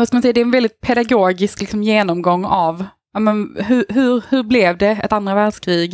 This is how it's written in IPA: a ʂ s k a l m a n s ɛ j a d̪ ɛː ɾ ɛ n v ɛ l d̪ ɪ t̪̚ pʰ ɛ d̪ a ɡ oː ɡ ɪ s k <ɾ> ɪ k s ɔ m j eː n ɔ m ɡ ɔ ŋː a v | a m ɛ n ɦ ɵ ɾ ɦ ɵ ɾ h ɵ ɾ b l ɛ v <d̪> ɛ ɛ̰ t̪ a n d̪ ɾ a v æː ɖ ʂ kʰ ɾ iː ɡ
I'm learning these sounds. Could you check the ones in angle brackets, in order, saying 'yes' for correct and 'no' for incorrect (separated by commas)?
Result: no, yes